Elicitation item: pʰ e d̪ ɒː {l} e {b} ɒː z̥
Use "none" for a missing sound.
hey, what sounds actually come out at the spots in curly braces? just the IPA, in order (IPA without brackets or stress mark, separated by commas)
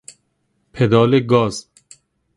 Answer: l, ɡ